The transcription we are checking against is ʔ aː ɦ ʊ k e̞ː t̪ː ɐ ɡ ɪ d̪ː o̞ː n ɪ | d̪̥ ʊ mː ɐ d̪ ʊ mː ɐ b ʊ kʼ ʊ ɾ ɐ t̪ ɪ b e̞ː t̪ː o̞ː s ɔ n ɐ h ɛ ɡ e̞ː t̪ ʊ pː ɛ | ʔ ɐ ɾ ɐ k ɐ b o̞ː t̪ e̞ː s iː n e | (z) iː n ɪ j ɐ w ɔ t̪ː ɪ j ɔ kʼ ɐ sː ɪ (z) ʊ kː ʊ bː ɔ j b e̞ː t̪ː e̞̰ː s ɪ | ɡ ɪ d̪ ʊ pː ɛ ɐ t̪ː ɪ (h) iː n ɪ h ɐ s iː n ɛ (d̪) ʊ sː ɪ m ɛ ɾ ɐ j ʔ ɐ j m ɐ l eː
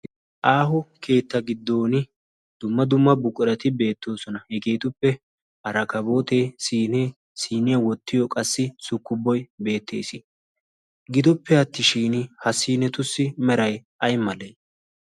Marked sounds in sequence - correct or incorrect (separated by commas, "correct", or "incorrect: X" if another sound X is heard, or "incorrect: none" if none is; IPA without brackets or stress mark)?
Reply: incorrect: s, incorrect: s, incorrect: ʃ, incorrect: t̪